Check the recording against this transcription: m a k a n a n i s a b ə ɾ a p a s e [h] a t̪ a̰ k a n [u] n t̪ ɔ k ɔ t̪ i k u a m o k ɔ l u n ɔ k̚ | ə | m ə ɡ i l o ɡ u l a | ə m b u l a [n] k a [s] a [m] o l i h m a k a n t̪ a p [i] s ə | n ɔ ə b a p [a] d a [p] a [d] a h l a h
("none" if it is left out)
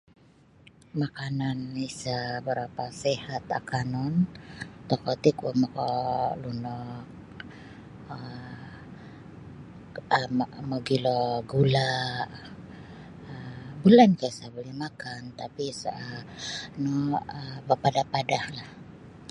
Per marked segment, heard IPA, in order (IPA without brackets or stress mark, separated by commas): h, ɔ, n, s, b, i, a, p, d